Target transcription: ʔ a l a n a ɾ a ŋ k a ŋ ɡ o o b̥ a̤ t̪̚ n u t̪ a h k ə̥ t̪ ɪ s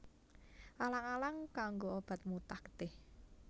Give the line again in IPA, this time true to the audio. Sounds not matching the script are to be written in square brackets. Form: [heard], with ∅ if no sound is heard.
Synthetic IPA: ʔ a l a [ŋ] a [l] a ŋ k a ŋ ɡ o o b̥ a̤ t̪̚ [m] u t̪ a h k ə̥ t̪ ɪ [h]